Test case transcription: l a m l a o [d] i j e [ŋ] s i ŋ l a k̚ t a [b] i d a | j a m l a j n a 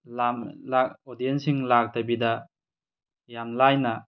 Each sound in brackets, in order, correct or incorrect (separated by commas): correct, incorrect, correct